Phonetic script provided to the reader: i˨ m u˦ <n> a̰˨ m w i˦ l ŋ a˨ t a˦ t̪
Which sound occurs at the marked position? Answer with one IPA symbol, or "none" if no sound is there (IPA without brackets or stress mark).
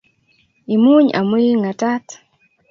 ɲ